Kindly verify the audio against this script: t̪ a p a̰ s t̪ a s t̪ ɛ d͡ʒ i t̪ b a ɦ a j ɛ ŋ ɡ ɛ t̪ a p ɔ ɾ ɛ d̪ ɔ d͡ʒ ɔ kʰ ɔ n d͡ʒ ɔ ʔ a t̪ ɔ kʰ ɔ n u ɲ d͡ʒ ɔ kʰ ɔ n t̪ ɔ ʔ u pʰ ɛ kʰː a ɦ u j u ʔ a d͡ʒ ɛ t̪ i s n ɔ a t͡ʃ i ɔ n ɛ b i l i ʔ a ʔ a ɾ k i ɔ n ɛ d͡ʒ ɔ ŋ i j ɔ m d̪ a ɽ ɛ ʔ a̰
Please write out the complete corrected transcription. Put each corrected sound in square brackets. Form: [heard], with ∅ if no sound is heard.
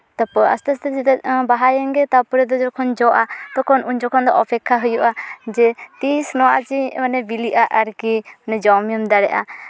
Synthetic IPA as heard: t̪ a p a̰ s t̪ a s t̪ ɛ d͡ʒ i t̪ b a ɦ a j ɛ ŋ ɡ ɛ t̪ a p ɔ ɾ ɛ d̪ ɔ d͡ʒ ɔ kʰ ɔ n d͡ʒ ɔ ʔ a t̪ ɔ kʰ ɔ n u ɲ d͡ʒ ɔ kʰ ɔ n [d̪] ɔ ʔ [ɔ] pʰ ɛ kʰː a ɦ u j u ʔ a d͡ʒ ɛ t̪ i s n ɔ a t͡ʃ i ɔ n ɛ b i l i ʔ a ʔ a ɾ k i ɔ n ɛ d͡ʒ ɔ [m] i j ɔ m d̪ a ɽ ɛ ʔ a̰